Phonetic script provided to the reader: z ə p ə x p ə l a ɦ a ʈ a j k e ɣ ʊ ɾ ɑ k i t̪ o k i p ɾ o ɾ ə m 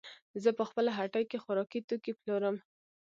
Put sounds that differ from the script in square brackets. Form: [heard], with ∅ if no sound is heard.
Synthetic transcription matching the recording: z ə p ə x p ə l a ɦ a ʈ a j k e [x] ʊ ɾ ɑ k i t̪ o k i p [l] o ɾ ə m